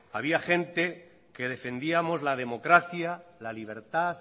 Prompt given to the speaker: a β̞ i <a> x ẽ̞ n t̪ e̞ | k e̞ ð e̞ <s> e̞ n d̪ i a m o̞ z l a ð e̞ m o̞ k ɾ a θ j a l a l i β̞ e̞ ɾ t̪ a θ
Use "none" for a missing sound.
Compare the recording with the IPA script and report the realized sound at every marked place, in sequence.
a, f

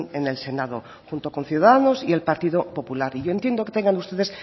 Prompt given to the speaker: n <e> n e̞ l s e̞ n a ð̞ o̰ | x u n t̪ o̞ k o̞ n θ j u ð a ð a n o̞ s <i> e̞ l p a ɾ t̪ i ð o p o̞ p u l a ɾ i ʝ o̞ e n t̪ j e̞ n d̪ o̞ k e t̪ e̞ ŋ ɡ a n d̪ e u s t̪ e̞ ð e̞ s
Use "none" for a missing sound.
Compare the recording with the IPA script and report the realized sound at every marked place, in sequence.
e, i

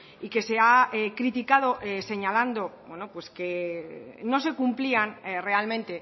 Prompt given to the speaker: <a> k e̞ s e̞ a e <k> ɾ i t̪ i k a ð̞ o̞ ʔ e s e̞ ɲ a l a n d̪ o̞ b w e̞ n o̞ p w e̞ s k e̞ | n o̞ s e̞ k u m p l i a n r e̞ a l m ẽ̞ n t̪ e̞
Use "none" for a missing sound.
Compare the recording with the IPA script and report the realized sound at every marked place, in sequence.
i, k

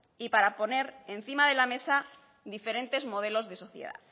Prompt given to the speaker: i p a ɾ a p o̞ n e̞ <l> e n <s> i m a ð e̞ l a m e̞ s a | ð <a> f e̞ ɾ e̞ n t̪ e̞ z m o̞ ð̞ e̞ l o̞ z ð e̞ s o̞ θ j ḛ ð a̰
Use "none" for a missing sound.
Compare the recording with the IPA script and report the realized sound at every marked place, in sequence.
ɾ, θ, i

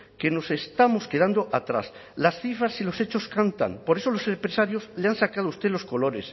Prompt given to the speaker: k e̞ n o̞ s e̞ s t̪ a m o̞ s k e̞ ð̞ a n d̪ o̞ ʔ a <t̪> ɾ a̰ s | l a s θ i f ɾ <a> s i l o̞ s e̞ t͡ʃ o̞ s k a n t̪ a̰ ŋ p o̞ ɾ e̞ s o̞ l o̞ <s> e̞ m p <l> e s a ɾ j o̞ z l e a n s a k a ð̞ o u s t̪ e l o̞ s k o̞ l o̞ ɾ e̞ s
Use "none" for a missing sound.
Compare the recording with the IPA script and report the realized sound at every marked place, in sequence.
t̪, a, s, ɾ

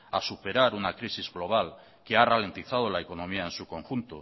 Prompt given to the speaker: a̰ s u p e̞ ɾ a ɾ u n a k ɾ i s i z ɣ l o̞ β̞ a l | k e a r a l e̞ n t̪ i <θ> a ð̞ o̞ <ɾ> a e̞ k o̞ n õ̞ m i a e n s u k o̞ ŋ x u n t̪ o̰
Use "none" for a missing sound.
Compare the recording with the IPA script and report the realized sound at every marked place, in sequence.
θ, l

